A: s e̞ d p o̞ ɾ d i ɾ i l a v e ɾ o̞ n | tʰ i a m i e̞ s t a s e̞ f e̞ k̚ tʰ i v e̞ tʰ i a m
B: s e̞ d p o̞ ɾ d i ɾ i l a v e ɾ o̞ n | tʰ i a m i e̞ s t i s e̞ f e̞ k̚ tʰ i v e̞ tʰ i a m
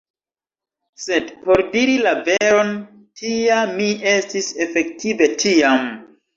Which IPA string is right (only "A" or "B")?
B